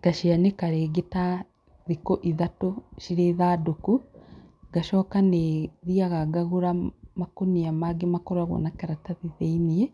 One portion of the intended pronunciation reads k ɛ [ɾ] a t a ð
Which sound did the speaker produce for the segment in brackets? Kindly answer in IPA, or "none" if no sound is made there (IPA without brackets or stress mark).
ɾ